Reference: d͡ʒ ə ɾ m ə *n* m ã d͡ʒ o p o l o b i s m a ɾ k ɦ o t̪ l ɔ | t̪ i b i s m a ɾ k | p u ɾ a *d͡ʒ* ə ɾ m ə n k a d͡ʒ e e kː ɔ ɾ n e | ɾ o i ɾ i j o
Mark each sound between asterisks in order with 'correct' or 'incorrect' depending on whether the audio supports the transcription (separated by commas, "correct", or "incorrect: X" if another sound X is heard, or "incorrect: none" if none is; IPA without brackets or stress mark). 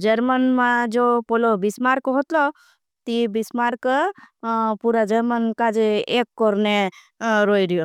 correct, correct